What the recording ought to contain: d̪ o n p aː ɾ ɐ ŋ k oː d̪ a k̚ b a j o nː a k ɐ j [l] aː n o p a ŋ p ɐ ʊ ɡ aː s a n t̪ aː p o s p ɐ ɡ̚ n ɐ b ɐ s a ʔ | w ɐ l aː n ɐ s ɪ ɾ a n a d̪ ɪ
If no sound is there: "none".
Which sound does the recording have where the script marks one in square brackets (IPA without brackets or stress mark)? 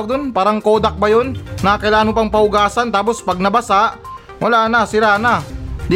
l